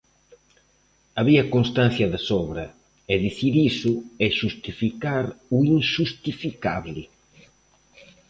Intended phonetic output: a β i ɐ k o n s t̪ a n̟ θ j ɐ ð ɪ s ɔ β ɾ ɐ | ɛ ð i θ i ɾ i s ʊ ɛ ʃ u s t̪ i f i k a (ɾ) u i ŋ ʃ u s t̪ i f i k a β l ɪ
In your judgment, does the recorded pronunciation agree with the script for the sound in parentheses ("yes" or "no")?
yes